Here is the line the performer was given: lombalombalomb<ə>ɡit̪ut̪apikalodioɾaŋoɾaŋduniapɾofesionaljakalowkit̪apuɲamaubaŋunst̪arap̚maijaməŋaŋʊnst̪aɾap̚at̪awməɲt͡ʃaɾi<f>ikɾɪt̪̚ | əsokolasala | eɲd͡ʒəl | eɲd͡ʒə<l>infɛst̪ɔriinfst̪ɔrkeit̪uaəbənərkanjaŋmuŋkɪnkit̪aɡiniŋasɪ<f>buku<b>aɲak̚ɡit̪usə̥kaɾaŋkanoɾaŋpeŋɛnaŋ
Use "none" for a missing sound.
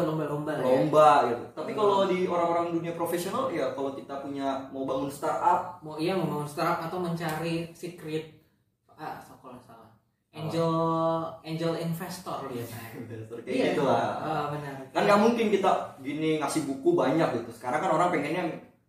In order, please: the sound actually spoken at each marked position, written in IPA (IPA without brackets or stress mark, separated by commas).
a, s, l, h, b